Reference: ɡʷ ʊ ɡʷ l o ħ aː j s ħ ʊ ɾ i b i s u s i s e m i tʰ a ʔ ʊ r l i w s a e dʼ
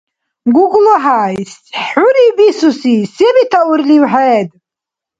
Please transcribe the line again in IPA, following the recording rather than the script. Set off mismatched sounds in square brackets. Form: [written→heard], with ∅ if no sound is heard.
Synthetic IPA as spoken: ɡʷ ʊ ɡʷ l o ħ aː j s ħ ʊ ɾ i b i s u s i s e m i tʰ a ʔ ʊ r l i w [s→ħ] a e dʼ